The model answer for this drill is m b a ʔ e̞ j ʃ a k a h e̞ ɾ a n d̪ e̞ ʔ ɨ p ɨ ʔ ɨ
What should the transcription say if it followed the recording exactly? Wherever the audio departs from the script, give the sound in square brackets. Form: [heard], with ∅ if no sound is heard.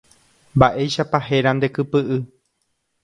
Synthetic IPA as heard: m b a ʔ e̞ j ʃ a [p] a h e̞ ɾ a n d̪ e̞ [k] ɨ p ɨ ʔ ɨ